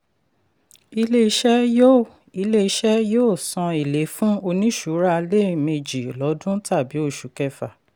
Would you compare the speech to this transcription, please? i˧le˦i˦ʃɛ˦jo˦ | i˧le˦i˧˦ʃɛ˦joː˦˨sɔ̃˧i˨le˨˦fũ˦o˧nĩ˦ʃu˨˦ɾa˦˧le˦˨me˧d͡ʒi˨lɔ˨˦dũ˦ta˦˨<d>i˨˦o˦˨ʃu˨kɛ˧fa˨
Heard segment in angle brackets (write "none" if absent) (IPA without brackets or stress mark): b